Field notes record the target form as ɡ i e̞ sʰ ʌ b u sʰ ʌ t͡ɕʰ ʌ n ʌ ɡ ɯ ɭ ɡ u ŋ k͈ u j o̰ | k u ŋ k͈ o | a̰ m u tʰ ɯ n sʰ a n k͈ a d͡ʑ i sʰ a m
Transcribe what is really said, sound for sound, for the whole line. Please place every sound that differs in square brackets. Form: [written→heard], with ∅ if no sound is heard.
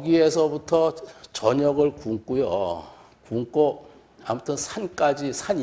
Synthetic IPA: ɡ i e̞ sʰ ʌ b u [sʰ→tʰ] ʌ [t͡ɕʰ→t͡ɕ] ʌ [n→ɲ] ʌ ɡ ɯ ɭ [ɡ→k] u ŋ k͈ u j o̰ | k u ŋ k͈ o | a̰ m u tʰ ɯ n sʰ a n k͈ a d͡ʑ i sʰ a [m→ɲ]